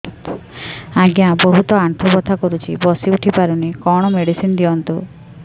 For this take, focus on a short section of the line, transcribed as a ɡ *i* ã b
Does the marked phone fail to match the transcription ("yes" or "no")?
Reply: yes